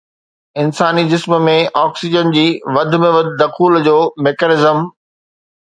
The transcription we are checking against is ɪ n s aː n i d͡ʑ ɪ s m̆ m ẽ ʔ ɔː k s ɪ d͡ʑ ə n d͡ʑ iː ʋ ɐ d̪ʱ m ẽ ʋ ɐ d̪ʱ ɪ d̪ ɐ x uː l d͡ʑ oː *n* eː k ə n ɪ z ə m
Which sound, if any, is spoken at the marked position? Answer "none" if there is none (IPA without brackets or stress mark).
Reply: m